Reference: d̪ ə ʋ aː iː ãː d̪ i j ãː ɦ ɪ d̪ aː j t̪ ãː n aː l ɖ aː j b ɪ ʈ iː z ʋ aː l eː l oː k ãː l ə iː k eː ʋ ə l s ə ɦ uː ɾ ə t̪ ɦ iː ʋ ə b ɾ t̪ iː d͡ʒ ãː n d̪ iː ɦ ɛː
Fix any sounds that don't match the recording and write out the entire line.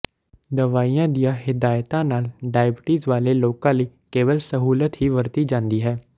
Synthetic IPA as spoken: d̪ ə ʋ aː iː ãː d̪ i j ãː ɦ ɪ d̪ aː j t̪ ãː n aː l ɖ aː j b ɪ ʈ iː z ʋ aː l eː l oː k ãː l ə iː k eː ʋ ə l s ə ɦ uː l ə t̪ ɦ iː ʋ ə ɾ t̪ iː d͡ʒ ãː n d̪ iː ɦ ɛː